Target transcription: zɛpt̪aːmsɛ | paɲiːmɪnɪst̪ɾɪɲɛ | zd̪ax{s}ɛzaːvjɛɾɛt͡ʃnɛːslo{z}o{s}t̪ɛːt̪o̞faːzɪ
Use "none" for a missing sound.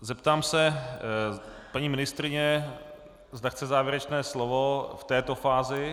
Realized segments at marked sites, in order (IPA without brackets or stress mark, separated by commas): t͡s, v, f